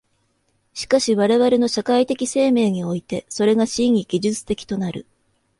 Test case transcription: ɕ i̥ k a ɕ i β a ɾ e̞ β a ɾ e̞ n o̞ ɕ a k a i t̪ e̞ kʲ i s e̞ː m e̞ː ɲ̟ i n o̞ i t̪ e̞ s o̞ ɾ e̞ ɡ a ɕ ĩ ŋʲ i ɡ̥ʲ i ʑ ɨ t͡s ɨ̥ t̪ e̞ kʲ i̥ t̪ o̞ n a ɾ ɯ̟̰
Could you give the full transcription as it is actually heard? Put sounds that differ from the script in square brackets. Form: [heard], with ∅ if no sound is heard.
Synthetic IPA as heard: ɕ i̥ k a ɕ i β a ɾ e̞ β a ɾ e̞ n o̞ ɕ a k a i t̪ e̞ kʲ i s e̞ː m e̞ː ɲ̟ i [∅] o̞ i t̪ e̞ s o̞ ɾ e̞ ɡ a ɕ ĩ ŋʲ i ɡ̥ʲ i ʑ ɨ t͡s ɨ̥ t̪ e̞ kʲ i̥ t̪ o̞ n a ɾ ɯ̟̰